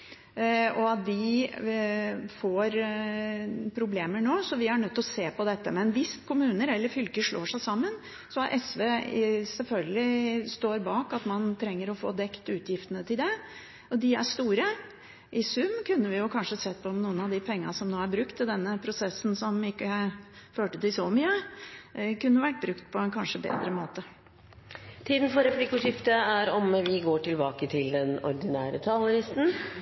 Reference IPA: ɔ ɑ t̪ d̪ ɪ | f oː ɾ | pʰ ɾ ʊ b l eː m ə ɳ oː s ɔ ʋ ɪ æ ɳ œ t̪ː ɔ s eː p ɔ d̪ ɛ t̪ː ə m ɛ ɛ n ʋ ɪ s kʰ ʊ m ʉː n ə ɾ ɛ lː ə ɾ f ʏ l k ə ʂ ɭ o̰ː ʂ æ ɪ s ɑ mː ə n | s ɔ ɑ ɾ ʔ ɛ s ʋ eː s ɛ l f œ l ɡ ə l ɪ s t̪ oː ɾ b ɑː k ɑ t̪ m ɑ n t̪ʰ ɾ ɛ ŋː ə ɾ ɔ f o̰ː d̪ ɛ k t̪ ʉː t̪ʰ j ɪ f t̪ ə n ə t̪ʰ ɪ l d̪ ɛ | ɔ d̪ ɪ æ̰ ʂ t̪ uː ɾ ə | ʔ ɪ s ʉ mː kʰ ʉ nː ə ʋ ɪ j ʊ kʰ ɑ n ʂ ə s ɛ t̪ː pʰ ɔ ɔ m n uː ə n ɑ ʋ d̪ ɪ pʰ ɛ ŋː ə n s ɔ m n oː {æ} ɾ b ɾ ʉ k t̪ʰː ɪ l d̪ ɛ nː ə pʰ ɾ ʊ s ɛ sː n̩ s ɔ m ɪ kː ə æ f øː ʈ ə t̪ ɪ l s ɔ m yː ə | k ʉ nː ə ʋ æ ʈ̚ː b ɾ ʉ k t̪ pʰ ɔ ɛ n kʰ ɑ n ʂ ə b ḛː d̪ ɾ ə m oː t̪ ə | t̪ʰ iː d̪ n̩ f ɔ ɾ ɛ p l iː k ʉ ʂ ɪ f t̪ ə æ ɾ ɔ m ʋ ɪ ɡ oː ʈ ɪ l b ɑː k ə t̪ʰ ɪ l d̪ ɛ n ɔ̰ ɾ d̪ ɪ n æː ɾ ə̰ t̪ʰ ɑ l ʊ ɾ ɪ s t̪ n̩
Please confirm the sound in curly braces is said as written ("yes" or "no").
yes